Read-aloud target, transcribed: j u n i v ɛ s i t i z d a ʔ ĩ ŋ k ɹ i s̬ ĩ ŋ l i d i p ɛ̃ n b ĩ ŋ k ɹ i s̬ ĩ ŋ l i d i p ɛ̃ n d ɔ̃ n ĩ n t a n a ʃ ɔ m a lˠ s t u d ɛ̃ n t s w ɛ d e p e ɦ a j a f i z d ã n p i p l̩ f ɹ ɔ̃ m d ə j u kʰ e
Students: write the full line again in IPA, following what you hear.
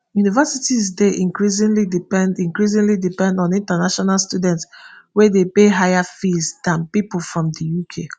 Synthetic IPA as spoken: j u n i v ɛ s i t i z d e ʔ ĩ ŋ k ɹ i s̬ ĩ ŋ l i d i p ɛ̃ n d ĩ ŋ k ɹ i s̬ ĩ ŋ l i d i p ɛ̃ n d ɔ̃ n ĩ n t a n a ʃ ɔ n a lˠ s t u d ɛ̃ n t s w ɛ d e p e ɦ a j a f i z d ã n p i p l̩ f ɹ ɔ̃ m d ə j u kʰ e

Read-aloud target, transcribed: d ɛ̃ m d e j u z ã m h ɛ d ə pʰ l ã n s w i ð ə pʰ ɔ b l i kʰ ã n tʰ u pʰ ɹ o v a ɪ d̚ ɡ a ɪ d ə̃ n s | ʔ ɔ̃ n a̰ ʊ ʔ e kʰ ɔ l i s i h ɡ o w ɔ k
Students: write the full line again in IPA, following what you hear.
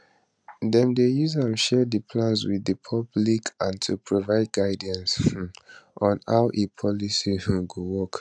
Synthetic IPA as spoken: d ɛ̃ m d e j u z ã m ʃ ɛ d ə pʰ l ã n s w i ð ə pʰ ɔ b l i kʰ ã n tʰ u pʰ ɹ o v a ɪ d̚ ɡ a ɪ d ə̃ n s | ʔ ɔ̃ n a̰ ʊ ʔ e pʰ ɔ l i s i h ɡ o w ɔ k

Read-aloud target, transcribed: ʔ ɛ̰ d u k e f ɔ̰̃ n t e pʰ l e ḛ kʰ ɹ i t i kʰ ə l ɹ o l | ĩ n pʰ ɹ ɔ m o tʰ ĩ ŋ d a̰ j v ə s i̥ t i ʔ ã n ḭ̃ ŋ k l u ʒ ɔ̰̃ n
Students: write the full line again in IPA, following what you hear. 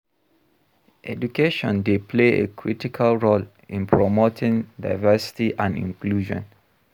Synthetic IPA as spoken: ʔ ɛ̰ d u k e ʃ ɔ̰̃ n d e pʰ l e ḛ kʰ ɹ i t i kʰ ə l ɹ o l | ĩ n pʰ ɹ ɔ m o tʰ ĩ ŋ d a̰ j v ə s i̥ t i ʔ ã n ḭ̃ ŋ k l u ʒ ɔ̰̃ n

